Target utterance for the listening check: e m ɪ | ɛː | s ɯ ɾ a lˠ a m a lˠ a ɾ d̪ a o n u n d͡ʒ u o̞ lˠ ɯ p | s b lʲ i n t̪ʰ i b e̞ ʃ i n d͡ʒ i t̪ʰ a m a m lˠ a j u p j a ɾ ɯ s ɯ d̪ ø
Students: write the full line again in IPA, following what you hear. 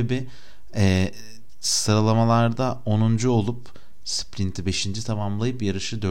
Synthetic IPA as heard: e b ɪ | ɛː | s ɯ ɾ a lˠ a m a lˠ a ɾ d̪ a o n u n d͡ʒ u o̞ lˠ u p | s p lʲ i n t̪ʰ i b e̞ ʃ i n d͡ʒ i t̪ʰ a m a m lˠ a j ɯ p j a ɾ ɯ ʃ ɯ d̪ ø